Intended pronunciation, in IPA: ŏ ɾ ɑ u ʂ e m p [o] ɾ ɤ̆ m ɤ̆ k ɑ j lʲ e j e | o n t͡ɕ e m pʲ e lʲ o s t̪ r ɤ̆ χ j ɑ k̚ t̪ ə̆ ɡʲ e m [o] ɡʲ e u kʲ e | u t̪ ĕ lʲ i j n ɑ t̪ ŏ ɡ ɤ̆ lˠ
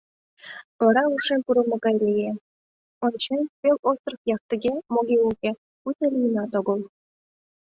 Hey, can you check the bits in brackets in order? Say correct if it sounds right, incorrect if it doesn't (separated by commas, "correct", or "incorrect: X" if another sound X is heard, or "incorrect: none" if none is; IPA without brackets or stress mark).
incorrect: u, correct